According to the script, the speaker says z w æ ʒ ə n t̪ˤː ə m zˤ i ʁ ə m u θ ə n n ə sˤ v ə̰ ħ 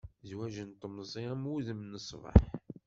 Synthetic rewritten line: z w æ ʒ ə n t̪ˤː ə m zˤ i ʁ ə m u ð ə m n ə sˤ v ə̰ ħ